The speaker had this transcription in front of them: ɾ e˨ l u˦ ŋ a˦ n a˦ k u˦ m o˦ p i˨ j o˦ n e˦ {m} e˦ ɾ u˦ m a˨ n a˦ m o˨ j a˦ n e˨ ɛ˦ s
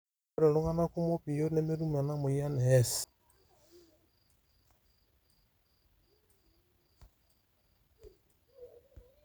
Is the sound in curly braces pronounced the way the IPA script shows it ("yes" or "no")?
yes